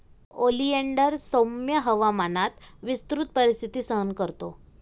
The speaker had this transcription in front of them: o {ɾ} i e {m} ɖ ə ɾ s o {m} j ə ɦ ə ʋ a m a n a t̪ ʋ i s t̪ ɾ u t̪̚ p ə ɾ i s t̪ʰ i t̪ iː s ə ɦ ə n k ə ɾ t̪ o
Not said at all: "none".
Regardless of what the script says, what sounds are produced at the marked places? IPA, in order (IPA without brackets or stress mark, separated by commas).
l, ɳ, m